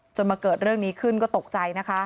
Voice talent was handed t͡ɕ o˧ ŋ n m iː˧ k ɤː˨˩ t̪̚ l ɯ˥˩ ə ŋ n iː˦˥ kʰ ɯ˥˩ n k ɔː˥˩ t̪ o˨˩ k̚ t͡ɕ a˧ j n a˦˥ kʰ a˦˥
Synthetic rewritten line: t͡ɕ o˧ n m aː˧ k ɤː˨˩ t̪̚ ɾ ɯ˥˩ ə ŋ n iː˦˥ kʰ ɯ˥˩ n k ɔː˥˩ t̪ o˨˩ k̚ t͡ɕ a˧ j n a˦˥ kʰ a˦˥

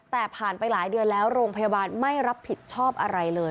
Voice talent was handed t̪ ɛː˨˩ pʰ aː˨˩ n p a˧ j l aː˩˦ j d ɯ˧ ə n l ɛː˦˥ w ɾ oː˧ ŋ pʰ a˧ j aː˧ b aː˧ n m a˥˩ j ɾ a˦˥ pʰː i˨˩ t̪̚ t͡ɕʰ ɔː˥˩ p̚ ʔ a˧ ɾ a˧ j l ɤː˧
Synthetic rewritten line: t̪ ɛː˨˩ pʰ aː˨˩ n p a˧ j l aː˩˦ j d ɯ˧ ə n l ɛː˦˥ w ɾ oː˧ ŋ pʰ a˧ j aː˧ b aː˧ n m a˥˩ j ɾ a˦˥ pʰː i˨˩ t̪̚ t͡ɕʰ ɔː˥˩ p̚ ʔ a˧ ɾ a˧ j l ɤː˧

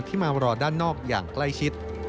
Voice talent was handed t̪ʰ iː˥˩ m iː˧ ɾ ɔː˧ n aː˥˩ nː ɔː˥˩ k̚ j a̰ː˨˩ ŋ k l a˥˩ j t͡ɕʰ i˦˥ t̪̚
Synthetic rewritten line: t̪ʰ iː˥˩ m aː˧ ɾ ɔː˧ d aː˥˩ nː ɔː˥˩ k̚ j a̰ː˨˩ ŋ k l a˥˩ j t͡ɕʰ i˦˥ t̪̚

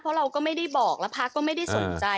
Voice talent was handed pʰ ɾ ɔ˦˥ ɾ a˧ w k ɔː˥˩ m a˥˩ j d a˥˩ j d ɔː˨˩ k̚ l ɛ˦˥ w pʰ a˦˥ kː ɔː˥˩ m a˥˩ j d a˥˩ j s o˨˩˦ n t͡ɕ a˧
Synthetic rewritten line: pʰ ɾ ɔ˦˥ ɾ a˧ w k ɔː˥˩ m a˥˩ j d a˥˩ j b ɔː˨˩ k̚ l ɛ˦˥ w pʰ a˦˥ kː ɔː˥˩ m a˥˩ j d a˥˩ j s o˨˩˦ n t͡ɕ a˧

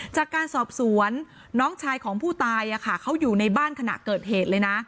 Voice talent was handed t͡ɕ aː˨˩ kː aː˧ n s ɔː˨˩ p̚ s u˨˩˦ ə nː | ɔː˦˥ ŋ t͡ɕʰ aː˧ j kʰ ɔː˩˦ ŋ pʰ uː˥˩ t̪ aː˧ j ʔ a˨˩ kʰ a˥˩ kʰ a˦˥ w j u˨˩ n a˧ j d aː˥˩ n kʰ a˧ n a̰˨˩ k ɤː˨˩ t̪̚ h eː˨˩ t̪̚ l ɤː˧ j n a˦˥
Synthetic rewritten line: t͡ɕ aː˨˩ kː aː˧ n s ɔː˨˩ p̚ s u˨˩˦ ə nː | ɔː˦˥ ŋ t͡ɕʰ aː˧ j kʰ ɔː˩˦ ŋ pʰ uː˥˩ t̪ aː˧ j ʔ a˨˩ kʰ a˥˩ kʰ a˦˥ w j uː˨˩ n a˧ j b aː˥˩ n kʰ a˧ n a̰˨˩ k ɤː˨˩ t̪̚ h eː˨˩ t̪̚ l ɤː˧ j n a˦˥

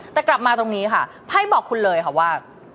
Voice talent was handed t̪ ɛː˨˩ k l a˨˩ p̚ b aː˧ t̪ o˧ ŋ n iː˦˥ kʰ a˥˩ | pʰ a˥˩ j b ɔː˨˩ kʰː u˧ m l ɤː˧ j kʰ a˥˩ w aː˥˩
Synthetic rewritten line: t̪ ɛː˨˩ k l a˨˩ p̚ m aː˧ t̪ o˧ ŋ n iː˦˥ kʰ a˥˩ | pʰ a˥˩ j b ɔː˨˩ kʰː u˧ n l ɤː˧ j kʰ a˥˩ w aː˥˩

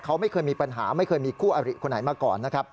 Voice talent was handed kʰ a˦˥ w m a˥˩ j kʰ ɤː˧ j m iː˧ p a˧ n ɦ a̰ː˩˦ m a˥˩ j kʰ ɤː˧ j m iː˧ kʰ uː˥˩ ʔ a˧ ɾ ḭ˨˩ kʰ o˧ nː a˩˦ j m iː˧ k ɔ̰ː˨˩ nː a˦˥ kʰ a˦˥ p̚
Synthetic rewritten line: kʰ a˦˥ w m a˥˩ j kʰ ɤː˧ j m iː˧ p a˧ n ɦ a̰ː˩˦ m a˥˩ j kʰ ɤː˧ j m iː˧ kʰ uː˥˩ ʔ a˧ ɾ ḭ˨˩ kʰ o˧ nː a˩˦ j m aː˧ k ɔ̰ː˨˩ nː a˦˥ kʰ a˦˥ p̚

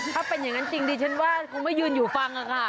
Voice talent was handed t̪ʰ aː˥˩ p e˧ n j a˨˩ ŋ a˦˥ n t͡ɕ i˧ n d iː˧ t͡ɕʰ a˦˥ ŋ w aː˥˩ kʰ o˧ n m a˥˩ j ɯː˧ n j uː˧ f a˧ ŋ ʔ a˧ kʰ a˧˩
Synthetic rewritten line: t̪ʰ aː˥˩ p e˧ n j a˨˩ ŋ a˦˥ n t͡ɕ i˧ ŋ d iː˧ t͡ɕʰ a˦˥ n w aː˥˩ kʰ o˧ ŋ m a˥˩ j ɯː˧ n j uː˨˩ f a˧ ŋ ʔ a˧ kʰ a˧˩

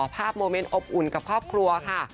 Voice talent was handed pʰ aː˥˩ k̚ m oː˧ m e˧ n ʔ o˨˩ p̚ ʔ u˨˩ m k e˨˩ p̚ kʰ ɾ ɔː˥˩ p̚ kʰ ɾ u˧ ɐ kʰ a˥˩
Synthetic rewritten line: pʰ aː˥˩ p̚ m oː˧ m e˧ n ʔ o˨˩ p̚ ʔ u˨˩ n k a˨˩ p̚ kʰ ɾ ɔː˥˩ p̚ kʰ ɾ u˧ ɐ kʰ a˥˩

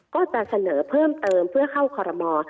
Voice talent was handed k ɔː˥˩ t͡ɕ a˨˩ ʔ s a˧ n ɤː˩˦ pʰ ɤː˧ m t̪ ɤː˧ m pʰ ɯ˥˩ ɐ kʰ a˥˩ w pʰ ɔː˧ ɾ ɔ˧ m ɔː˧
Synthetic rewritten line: k ɔː˥˩ t͡ɕ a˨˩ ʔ s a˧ n ɤː˩˦ pʰ ɤː˥˩ m t̪ ɤː˧ m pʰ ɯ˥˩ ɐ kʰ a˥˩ w kʰ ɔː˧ ɾ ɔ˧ m ɔː˧

